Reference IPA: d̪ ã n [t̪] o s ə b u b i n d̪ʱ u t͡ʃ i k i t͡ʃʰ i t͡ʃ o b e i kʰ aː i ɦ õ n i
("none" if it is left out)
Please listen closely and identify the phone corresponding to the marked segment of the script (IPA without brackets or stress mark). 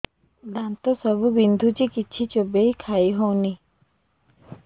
t̪